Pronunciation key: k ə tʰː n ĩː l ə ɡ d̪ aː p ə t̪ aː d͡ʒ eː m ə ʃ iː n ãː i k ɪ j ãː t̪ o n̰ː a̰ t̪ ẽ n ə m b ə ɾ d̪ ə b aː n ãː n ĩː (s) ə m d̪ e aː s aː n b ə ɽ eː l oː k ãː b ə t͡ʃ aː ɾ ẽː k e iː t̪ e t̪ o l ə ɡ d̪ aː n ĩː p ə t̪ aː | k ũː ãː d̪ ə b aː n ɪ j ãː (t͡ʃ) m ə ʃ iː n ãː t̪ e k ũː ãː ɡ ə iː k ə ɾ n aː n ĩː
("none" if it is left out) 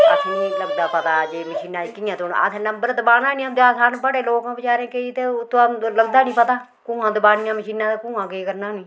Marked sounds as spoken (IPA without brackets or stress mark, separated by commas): none, none